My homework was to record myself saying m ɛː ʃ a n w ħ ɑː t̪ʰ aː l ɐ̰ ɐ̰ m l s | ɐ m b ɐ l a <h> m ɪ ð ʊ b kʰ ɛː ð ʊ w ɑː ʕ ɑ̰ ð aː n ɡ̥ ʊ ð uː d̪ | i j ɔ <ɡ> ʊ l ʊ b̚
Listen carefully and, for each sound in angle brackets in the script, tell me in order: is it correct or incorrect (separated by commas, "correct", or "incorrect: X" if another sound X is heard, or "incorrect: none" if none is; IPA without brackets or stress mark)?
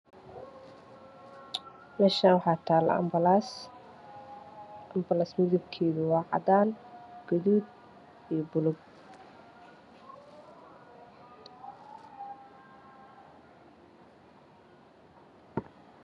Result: incorrect: s, incorrect: b